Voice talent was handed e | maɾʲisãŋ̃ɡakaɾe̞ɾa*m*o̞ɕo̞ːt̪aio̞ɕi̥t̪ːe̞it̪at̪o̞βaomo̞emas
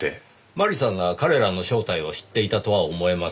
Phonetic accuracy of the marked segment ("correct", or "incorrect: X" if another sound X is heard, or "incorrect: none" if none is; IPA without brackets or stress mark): incorrect: n